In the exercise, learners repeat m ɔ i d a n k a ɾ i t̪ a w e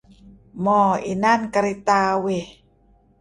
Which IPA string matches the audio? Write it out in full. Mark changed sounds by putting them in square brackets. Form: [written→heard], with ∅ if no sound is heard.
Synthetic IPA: m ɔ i [d→n] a n k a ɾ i t̪ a w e